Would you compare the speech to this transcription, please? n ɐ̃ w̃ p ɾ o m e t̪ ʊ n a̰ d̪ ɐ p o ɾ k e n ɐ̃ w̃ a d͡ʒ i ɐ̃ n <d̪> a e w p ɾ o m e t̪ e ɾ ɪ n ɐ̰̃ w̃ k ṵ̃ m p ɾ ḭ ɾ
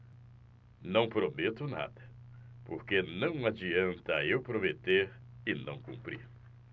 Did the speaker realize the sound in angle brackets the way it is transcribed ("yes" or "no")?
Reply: no